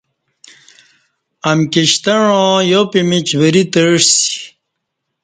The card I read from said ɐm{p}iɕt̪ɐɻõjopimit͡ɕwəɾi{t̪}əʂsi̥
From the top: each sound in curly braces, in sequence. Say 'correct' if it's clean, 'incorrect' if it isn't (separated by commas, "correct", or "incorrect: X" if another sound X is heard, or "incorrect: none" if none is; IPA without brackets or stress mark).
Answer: incorrect: k, correct